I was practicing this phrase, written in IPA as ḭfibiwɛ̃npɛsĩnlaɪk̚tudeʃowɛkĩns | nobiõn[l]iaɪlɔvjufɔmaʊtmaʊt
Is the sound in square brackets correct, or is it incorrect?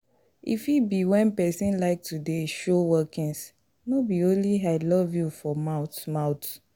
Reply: correct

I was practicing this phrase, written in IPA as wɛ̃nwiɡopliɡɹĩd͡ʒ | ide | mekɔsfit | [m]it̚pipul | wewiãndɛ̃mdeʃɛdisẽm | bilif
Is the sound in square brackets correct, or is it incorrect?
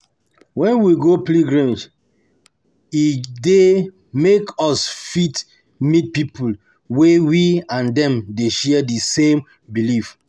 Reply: correct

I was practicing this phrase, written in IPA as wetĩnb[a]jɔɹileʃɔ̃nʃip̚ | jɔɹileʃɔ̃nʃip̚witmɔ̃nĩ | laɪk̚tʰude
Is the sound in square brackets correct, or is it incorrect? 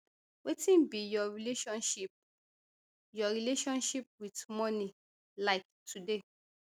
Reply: incorrect: i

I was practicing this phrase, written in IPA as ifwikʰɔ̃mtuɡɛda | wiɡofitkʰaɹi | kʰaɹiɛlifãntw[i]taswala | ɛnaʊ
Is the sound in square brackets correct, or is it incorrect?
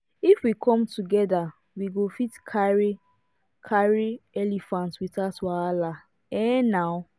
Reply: correct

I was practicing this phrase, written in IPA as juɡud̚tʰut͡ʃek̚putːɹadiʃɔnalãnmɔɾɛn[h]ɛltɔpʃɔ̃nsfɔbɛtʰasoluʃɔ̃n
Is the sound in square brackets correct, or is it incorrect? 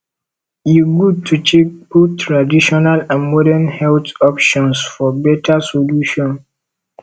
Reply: correct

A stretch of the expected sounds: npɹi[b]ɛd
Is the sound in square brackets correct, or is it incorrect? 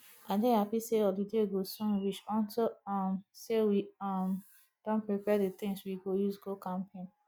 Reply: incorrect: p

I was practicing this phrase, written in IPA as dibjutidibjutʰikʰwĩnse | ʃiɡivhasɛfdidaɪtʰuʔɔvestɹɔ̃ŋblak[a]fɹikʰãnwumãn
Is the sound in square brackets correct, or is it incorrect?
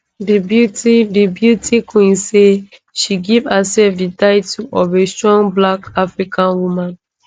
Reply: correct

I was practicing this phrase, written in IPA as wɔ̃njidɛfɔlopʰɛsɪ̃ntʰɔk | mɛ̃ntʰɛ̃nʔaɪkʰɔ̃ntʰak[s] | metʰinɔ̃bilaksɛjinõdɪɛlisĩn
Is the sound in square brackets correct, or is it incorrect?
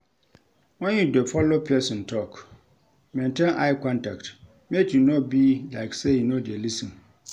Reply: incorrect: t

